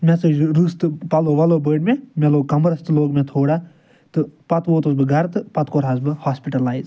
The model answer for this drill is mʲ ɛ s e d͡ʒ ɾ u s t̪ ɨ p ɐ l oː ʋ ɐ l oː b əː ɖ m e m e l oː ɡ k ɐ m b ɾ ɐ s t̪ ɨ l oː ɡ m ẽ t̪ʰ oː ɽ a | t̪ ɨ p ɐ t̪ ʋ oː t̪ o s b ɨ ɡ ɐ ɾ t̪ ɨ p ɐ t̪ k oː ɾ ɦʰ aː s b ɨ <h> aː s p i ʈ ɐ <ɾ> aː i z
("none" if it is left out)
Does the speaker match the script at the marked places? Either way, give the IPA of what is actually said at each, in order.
h, l

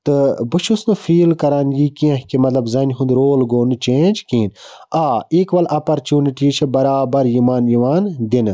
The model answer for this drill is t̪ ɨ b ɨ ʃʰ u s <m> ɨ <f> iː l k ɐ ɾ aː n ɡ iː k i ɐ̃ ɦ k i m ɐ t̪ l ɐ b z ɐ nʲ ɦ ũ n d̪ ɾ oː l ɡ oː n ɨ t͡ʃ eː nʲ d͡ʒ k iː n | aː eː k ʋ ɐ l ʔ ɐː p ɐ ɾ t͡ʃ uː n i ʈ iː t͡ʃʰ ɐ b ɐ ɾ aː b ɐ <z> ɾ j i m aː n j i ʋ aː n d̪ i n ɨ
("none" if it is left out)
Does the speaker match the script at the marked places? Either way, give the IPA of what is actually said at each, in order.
n, f, none

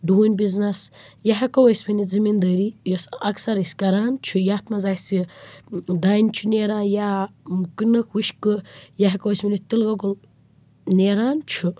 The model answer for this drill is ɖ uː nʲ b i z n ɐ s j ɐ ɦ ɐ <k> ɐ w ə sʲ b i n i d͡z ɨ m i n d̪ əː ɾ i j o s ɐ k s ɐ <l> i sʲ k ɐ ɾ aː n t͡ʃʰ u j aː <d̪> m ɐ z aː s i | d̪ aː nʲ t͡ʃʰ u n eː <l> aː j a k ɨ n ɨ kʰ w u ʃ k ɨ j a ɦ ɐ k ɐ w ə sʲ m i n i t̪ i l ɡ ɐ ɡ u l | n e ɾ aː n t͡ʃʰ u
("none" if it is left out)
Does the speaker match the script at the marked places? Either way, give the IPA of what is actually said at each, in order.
k, ɾ, t̪, ɾ

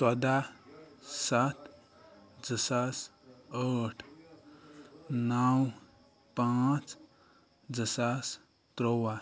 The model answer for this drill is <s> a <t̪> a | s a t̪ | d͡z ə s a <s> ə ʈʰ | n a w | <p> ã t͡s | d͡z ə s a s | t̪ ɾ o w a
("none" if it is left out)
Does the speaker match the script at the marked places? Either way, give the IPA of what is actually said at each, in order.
s, d̪, s, p

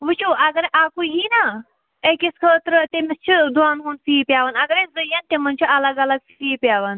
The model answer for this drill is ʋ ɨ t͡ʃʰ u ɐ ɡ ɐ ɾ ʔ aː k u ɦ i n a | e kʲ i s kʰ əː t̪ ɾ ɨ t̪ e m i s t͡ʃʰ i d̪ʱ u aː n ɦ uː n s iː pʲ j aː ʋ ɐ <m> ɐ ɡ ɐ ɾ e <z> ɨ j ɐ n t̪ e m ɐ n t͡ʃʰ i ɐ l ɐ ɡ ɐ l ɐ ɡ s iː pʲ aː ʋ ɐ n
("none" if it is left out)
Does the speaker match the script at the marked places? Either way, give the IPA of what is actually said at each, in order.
n, z

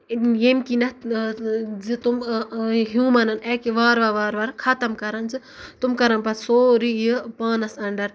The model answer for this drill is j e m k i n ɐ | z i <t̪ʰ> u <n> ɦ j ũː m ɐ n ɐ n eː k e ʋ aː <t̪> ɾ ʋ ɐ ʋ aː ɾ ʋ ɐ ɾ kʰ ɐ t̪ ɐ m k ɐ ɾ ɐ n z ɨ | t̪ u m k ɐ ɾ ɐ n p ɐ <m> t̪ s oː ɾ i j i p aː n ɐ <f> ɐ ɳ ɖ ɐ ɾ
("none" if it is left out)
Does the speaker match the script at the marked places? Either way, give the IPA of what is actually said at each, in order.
t̪, m, none, none, s

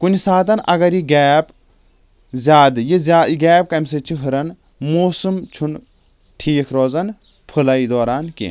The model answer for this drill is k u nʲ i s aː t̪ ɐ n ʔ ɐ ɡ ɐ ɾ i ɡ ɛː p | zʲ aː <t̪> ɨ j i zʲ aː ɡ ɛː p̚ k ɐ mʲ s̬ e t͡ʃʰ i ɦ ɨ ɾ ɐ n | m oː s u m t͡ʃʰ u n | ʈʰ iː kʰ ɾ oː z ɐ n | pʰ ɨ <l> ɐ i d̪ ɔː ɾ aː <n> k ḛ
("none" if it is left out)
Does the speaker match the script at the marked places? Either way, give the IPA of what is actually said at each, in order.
d̪, l, n

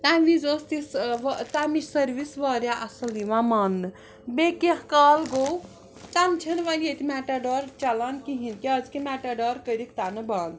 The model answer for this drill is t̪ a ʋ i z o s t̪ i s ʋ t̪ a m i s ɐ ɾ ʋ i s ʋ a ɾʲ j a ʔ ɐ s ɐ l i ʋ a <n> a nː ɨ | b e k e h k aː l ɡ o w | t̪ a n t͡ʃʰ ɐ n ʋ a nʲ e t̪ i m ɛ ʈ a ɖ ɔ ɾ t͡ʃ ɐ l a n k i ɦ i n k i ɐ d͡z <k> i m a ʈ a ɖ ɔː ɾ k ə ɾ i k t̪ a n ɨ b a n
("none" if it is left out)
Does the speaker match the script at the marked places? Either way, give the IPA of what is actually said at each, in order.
m, k

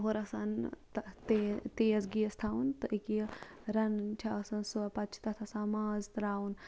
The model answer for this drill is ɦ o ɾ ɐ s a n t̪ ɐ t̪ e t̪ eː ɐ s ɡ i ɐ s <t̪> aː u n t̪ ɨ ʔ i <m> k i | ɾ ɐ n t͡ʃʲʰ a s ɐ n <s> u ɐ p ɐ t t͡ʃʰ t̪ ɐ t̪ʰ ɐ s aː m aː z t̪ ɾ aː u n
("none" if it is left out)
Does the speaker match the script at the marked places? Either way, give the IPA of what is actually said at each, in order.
t̪ʰ, none, s

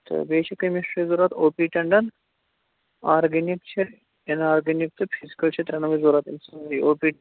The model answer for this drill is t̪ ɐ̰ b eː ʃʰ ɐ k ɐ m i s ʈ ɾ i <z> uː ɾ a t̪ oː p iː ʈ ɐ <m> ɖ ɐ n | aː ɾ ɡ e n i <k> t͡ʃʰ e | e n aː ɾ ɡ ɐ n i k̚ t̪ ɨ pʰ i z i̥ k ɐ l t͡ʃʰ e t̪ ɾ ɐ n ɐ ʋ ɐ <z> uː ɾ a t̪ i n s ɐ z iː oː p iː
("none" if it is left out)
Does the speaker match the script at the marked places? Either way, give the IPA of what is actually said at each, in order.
z, ɳ, k, z

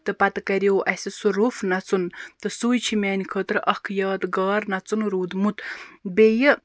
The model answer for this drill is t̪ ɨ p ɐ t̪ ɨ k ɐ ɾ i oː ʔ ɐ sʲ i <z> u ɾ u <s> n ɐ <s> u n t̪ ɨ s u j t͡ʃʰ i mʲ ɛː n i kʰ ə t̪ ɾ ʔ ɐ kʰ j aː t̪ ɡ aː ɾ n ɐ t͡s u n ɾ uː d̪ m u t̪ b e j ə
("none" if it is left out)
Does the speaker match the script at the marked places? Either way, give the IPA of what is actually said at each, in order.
s, f, t͡s

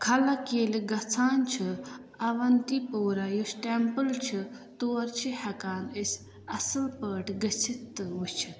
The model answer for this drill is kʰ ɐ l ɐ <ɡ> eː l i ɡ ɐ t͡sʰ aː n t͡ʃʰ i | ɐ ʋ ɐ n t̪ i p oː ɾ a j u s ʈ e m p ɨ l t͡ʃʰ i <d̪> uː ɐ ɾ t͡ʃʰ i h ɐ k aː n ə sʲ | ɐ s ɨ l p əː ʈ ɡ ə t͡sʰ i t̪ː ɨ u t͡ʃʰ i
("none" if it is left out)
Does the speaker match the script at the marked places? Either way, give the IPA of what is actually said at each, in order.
k, t̪

